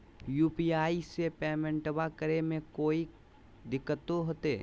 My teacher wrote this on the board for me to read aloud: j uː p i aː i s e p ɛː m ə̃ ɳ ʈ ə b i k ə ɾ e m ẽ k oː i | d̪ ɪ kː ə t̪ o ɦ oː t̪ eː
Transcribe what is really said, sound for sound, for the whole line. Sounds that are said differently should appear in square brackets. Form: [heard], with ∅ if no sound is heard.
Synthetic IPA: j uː p i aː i s e p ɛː m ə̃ ɳ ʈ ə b [a] k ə ɾ e m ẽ k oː i | d̪ ɪ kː ə t̪ o ɦ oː t̪ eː